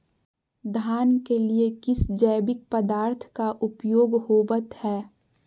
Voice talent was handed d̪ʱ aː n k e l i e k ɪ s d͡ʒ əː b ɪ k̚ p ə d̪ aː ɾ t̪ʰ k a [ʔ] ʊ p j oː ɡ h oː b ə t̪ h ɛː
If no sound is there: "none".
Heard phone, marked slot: ʔ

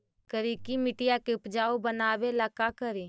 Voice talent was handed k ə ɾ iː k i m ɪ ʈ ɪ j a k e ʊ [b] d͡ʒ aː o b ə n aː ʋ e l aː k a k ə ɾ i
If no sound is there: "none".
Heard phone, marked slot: p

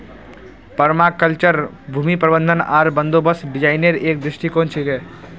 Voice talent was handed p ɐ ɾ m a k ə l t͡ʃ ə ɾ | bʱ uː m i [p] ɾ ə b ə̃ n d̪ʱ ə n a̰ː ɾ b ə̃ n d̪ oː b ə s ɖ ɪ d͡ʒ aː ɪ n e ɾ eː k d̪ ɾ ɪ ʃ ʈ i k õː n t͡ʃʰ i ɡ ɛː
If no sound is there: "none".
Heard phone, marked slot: p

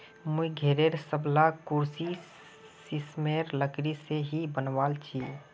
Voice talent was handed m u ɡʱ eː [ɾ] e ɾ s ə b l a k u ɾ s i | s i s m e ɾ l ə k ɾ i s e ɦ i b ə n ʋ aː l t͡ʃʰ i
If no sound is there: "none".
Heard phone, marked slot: ɾ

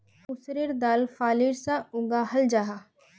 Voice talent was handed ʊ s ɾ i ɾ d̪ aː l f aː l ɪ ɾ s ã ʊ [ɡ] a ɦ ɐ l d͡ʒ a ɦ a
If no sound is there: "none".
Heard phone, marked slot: ɡ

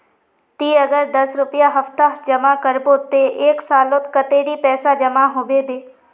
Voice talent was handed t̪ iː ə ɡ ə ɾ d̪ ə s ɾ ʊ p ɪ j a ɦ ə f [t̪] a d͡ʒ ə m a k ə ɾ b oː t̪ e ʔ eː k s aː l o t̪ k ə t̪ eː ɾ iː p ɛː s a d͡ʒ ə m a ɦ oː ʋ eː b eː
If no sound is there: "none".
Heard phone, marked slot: t̪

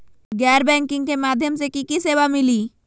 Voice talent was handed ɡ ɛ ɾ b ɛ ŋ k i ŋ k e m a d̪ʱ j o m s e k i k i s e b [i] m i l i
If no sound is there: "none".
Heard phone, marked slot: a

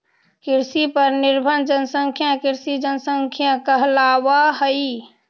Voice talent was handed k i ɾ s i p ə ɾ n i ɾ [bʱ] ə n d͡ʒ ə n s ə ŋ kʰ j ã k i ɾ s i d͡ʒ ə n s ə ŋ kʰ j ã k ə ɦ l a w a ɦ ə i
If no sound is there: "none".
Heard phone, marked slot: bʱ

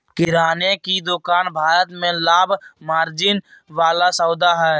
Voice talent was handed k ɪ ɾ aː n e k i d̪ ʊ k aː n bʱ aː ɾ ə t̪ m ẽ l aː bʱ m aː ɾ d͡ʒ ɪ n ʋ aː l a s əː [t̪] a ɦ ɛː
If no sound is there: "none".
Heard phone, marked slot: d̪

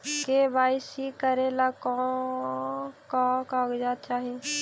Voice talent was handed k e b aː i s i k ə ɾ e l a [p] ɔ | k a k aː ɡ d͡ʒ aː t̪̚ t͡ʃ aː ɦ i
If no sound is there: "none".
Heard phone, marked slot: k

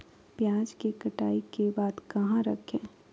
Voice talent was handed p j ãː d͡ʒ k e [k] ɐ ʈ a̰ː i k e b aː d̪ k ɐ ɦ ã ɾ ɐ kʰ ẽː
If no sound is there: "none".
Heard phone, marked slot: k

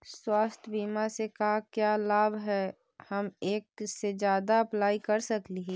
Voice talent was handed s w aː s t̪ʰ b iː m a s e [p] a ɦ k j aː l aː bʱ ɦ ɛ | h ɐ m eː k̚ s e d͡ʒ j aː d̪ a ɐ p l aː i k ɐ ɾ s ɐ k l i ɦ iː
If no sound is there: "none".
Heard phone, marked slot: k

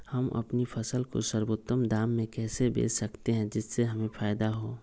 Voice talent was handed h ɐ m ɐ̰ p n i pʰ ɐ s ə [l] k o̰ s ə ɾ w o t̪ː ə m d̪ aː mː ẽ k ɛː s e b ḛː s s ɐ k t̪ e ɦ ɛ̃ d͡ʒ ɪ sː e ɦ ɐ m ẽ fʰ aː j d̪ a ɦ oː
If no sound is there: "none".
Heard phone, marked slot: l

